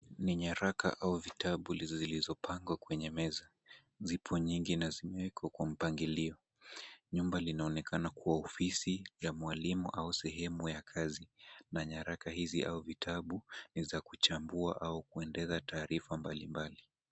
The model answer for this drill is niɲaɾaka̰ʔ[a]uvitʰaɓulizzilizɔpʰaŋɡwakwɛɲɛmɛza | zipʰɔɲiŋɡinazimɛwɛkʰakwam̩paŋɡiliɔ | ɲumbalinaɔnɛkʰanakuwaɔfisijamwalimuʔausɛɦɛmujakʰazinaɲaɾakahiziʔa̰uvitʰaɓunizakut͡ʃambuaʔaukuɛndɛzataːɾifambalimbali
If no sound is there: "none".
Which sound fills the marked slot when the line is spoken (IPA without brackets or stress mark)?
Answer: a